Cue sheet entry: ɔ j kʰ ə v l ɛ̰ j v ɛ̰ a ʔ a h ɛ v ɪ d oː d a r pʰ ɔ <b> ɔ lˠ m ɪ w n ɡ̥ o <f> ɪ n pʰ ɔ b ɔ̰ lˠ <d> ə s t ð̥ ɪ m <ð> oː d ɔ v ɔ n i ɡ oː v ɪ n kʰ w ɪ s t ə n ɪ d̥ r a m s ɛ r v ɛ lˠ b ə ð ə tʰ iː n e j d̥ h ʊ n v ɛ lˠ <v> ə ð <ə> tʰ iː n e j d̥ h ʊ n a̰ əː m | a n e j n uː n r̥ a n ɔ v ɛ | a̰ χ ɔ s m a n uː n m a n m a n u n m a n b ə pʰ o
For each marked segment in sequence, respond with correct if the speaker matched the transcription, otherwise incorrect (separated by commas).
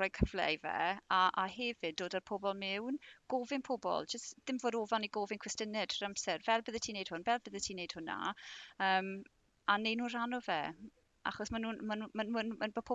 correct, incorrect, incorrect, incorrect, incorrect, correct